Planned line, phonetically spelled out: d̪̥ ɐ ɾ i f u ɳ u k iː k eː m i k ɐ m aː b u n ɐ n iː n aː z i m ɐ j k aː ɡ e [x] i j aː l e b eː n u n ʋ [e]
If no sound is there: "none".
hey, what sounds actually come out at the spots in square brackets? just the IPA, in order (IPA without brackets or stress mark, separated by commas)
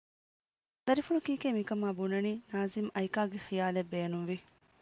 x, i